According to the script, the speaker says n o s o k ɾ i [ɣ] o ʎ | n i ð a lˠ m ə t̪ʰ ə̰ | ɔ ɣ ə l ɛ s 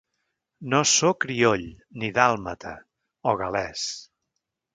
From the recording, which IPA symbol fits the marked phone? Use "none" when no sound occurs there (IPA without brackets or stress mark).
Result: none